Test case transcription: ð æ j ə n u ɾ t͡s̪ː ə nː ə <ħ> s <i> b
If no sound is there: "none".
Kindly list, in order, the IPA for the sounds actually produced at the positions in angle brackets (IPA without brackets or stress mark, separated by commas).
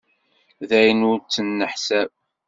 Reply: ħ, æ